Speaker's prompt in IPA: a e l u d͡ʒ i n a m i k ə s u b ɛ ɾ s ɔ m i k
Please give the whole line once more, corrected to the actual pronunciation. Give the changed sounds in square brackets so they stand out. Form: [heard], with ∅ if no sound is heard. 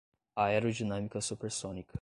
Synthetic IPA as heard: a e [ɾ] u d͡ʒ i n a m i k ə s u [p] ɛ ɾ s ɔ [n] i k